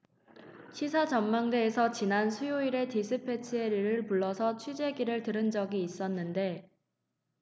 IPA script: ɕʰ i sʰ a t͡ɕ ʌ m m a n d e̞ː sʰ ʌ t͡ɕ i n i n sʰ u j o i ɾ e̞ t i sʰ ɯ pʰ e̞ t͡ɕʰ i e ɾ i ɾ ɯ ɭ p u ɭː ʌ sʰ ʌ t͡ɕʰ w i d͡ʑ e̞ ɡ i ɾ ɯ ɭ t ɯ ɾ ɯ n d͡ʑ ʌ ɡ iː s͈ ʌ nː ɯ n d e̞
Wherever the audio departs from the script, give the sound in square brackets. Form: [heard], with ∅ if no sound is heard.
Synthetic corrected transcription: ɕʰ i sʰ a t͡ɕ ʌ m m a [ŋ] d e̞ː sʰ ʌ t͡ɕ i n [a] n sʰ u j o i ɾ e̞ t i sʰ ɯ pʰ e̞ t͡ɕʰ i e ɾ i ɾ ɯ ɭ p u ɭː ʌ sʰ ʌ t͡ɕʰ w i d͡ʑ e̞ ɡ i ɾ ɯ ɭ t ɯ ɾ ɯ n d͡ʑ ʌ ɡ iː s͈ ʌ nː ɯ n d e̞